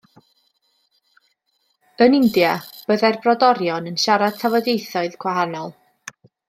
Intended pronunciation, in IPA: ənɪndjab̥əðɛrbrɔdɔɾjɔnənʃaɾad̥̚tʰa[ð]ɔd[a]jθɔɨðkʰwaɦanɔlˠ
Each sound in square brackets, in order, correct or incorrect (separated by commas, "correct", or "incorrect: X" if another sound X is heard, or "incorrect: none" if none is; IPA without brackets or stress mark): incorrect: v, incorrect: e